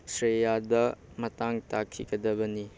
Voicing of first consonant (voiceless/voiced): voiceless